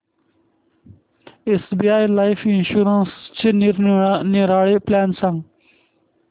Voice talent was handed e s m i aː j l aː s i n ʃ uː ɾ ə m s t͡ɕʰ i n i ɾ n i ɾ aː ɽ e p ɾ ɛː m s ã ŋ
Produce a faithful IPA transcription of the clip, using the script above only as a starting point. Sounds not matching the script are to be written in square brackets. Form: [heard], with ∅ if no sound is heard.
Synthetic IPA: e s [b] i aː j l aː [f] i n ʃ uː ɾ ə [n] s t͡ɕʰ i n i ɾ n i ɾ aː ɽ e p [l] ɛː [n] s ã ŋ